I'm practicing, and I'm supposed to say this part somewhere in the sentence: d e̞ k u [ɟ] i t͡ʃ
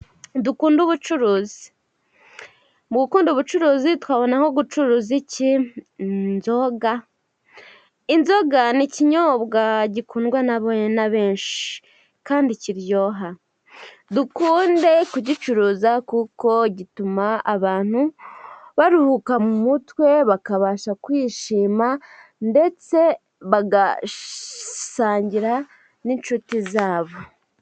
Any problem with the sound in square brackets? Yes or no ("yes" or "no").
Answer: no